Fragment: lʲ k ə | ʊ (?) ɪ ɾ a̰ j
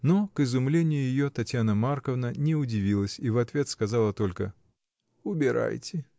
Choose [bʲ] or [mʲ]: bʲ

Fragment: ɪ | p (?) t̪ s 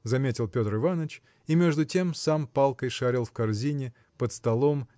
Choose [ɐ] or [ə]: ə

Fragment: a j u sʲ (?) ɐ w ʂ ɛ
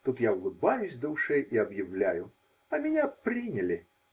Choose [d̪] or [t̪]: d̪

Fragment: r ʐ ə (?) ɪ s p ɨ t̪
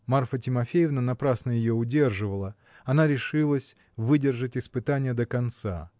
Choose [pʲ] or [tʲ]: tʲ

